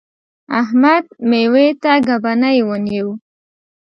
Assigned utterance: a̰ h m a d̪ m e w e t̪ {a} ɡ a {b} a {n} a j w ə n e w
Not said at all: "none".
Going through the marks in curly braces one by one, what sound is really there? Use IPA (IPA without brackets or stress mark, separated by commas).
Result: a, b, n